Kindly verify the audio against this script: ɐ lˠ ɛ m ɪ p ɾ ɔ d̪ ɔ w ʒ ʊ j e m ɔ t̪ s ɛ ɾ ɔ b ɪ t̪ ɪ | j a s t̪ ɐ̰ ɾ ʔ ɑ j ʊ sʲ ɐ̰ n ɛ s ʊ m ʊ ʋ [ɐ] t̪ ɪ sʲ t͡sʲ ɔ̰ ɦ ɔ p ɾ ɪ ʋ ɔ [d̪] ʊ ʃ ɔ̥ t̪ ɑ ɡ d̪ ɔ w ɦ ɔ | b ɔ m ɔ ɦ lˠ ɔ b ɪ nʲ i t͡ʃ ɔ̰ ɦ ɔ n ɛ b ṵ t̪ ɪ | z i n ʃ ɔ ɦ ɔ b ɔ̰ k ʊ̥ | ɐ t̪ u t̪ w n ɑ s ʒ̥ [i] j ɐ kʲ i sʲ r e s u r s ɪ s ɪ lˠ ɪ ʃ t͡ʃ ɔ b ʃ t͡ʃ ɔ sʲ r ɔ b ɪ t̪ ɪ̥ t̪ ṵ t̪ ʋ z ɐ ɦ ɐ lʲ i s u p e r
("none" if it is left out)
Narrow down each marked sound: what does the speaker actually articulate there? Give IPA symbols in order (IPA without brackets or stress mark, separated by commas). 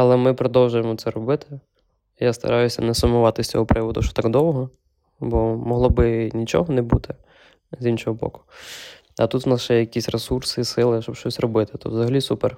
ɑ, d̪, ɛ